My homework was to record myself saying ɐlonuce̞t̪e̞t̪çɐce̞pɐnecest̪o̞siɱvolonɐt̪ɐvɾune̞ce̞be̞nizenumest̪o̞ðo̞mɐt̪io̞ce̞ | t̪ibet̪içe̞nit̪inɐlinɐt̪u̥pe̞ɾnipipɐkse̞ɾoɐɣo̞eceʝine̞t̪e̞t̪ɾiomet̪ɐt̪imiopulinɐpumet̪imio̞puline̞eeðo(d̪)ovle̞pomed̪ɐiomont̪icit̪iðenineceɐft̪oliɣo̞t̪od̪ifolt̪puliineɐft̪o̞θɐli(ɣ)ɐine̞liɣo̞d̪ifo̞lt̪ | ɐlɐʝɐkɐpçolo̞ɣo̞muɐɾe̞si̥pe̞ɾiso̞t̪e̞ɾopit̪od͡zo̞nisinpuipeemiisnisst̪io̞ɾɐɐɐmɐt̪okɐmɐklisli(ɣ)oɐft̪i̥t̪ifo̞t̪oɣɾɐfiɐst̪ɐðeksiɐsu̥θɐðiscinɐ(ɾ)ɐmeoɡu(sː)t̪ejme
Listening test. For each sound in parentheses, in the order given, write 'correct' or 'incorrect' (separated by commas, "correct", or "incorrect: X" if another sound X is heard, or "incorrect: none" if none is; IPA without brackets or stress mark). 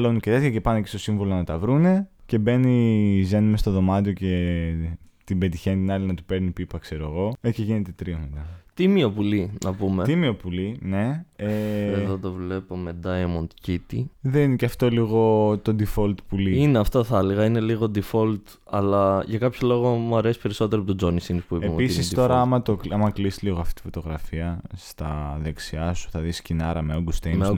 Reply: incorrect: t̪, correct, correct, correct, incorrect: s